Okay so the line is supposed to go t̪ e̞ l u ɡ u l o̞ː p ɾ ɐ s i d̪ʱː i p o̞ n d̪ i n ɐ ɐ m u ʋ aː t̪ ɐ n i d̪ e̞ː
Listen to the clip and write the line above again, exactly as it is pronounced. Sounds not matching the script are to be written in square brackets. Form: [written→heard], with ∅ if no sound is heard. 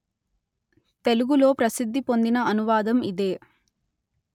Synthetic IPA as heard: t̪ e̞ l u ɡ u l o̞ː p ɾ ɐ s i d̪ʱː i p o̞ n d̪ i n ɐ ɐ [m→n] u ʋ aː [t̪→d̪] ɐ [n→m] i d̪ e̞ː